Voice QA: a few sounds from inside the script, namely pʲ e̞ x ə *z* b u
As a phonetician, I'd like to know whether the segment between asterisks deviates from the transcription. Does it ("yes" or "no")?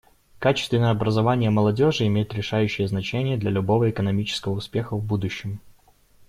yes